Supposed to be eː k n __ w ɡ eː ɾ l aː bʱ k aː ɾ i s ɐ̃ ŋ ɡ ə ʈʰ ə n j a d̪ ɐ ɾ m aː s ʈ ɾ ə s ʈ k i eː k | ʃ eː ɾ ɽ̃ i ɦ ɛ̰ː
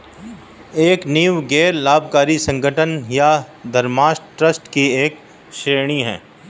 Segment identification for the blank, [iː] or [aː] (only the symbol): iː